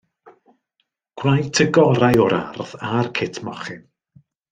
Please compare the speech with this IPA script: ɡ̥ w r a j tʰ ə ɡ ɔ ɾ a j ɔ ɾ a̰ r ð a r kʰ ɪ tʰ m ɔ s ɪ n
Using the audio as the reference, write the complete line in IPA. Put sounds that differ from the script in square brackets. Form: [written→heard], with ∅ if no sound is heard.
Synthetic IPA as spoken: ɡ̥ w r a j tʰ ə ɡ ɔ ɾ a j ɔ ɾ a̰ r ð a r kʰ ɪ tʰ m ɔ [s→χ] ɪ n